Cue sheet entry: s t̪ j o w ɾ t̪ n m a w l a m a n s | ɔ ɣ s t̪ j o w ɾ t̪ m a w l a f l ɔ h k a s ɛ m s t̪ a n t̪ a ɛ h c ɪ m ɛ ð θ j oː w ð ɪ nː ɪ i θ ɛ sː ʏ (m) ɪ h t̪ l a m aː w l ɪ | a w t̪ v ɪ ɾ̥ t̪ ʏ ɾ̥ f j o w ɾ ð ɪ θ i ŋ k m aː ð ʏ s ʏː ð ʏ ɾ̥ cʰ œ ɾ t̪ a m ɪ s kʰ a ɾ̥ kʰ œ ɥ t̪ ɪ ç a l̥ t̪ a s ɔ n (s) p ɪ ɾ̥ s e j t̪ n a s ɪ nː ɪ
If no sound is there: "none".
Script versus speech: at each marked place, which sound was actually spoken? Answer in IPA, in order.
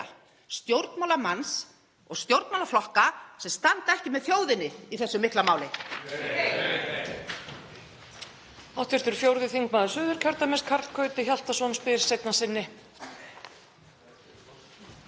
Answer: m, s

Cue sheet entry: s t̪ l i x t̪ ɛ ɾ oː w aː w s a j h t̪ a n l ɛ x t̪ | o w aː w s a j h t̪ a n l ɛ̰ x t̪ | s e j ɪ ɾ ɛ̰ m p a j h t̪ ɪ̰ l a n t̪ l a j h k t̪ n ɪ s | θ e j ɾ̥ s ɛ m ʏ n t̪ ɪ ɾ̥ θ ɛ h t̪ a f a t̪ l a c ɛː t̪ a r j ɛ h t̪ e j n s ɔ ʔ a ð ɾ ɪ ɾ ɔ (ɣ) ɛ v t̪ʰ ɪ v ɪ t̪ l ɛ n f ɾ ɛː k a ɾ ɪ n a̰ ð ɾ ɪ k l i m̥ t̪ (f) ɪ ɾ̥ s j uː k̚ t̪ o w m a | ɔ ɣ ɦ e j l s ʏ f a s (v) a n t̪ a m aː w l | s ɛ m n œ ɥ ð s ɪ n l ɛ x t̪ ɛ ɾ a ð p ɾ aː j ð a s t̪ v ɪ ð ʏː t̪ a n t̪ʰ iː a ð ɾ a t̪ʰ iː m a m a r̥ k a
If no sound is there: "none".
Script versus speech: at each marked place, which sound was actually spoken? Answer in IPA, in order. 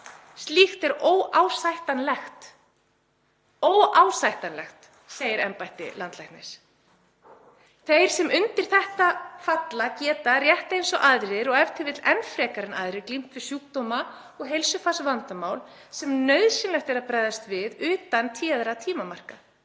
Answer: ɣ, v, v

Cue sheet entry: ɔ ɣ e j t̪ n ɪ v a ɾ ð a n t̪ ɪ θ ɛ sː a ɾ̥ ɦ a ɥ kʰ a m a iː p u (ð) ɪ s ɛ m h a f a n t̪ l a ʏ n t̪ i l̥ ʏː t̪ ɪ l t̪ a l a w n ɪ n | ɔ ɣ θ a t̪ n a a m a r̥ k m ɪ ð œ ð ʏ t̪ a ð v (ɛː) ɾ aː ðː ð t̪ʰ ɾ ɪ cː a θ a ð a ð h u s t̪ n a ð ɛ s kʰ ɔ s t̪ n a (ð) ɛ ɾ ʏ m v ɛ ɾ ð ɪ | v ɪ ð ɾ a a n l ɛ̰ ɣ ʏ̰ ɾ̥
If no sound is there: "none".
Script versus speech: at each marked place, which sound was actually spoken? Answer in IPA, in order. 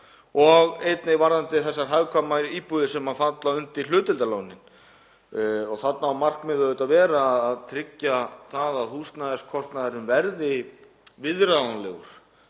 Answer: ð, ɛː, ð

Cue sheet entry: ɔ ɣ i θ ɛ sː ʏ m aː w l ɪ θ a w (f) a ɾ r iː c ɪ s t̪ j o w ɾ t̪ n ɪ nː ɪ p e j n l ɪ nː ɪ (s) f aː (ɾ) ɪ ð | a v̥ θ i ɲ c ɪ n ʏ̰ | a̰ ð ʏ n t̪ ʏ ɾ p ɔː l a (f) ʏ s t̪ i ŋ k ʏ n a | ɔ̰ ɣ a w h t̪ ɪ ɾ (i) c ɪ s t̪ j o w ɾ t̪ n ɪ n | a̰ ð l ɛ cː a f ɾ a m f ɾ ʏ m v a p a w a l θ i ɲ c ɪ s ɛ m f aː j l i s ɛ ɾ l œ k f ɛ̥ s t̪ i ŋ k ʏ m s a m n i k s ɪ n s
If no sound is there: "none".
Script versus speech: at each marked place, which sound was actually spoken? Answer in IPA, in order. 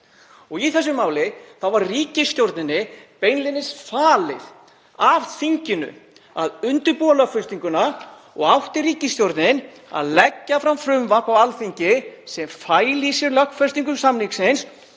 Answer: v, s, l, f, iː

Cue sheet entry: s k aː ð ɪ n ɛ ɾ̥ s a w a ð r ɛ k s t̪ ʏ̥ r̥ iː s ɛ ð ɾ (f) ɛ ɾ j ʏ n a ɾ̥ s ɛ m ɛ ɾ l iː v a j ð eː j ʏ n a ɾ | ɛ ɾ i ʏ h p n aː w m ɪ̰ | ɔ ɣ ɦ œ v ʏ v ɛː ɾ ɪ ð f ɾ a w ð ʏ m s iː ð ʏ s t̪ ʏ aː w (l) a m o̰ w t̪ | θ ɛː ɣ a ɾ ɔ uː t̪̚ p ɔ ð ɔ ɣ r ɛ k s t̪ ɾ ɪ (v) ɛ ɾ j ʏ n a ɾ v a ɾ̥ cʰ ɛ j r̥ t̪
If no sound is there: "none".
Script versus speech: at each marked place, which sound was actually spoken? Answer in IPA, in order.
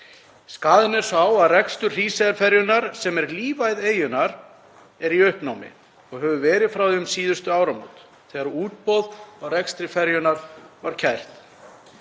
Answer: f, ɾ, f

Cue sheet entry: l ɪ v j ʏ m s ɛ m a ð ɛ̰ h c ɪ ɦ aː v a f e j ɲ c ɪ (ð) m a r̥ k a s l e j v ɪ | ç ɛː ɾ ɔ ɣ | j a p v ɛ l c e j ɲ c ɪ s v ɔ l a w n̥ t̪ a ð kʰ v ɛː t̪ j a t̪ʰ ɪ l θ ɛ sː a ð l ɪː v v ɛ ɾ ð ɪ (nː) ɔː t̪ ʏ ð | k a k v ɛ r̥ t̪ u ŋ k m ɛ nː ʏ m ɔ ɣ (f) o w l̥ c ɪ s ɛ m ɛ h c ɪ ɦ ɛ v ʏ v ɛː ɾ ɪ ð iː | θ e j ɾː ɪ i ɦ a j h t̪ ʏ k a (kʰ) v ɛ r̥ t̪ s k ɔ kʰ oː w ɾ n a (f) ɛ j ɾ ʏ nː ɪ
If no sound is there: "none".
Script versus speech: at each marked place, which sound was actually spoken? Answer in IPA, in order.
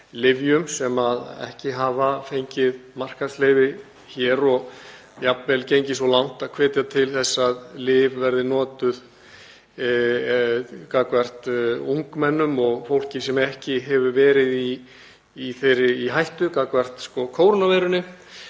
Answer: ð, n, f, k, v

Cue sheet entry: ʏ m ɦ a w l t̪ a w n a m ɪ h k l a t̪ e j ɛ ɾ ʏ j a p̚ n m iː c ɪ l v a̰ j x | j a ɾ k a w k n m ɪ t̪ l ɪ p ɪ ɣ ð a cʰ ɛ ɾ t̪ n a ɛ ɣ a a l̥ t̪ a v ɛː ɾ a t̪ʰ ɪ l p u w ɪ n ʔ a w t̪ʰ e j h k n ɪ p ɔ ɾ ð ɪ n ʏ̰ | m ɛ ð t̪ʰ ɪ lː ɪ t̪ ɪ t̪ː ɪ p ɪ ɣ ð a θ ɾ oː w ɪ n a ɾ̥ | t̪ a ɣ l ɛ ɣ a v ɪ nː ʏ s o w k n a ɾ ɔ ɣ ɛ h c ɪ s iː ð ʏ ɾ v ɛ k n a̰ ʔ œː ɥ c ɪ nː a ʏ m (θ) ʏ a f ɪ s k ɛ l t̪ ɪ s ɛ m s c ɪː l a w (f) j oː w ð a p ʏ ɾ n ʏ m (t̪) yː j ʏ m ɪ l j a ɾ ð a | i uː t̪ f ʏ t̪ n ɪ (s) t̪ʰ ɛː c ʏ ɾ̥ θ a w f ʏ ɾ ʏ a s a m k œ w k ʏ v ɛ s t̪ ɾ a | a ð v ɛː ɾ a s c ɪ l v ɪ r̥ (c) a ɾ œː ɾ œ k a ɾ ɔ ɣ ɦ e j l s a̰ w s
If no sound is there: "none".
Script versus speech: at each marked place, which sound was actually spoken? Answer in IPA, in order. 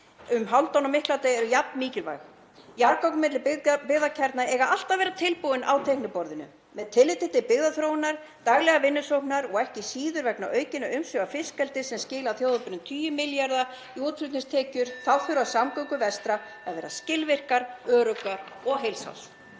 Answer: s, θ, t̪ʰ, s, k

